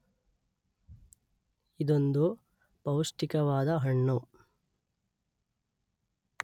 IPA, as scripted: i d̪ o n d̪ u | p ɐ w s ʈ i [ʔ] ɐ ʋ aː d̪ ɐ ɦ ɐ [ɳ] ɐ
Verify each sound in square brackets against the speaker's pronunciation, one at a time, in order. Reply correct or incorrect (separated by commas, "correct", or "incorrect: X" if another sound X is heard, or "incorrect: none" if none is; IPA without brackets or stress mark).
incorrect: k, incorrect: ɳː